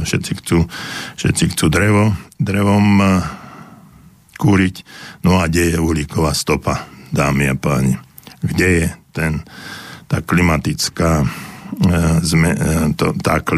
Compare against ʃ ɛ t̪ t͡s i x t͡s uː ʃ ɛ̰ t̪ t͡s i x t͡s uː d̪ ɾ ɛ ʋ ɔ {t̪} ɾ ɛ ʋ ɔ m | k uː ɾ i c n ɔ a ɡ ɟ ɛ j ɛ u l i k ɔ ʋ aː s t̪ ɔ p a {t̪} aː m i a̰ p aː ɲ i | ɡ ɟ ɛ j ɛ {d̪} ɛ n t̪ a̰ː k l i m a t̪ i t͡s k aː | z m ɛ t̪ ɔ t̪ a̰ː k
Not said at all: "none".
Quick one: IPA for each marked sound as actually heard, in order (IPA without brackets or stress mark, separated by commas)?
d̪, d̪, t̪